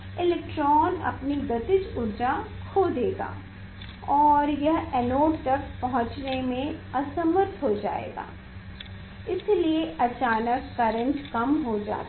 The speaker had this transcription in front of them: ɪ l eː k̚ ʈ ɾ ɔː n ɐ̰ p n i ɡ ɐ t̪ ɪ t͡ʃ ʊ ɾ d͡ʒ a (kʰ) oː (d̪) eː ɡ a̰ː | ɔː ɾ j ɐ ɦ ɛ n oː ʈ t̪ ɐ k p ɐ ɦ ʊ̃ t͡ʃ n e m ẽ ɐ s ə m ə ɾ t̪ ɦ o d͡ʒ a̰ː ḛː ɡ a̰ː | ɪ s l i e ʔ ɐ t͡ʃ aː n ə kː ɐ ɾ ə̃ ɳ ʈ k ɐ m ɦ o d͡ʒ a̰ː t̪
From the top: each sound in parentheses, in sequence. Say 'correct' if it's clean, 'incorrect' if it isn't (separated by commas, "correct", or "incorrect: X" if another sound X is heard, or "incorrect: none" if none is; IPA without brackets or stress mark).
correct, correct